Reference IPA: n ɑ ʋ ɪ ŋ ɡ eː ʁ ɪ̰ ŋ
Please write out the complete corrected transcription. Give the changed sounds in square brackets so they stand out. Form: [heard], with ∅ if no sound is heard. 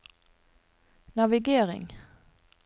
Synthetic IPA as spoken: n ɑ ʋ ɪ [∅] ɡ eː ʁ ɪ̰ ŋ